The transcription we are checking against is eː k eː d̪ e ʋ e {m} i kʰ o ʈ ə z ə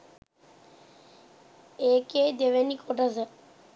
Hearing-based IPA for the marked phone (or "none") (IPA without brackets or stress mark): n